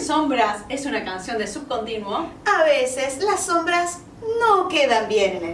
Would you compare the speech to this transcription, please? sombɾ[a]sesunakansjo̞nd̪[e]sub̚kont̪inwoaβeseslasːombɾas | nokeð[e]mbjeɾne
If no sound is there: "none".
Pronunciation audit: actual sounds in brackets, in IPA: a, e, a

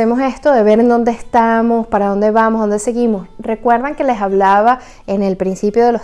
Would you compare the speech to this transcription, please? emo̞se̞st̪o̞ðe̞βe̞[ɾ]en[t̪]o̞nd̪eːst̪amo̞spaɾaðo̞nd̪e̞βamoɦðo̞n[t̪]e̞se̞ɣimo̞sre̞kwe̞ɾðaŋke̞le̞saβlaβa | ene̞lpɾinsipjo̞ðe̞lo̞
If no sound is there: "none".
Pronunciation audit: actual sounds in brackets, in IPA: ɾ, d̪, d̪

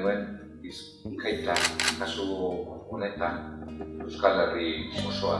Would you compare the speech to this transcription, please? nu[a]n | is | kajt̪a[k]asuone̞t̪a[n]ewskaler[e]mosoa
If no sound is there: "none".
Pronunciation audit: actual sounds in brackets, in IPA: e, k, n, i

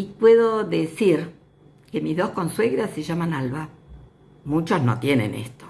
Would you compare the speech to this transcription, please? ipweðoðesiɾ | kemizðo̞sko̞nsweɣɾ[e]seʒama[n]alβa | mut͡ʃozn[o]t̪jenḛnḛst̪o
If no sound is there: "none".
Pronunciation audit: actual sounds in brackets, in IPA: a, n, o

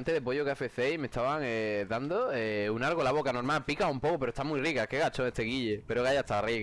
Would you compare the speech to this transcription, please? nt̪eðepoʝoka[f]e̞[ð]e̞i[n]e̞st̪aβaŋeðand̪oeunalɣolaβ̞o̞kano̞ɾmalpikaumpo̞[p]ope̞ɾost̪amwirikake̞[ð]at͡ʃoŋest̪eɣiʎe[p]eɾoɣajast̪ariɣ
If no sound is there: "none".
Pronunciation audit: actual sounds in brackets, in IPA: f, θ, m, k, ɣ, p

